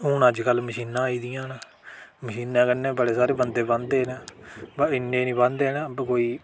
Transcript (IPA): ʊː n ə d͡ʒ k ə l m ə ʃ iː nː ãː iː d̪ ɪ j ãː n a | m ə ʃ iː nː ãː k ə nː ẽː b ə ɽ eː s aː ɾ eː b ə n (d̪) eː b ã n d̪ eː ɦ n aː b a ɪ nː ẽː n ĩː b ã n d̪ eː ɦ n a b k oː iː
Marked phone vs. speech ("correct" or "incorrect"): correct